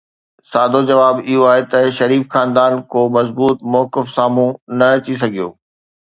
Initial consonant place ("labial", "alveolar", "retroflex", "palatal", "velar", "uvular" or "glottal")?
alveolar